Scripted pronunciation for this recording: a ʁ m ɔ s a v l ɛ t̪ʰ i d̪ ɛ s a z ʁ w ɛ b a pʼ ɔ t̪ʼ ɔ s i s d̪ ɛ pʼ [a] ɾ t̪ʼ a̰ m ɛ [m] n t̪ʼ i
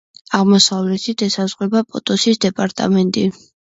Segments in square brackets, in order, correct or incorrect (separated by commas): correct, incorrect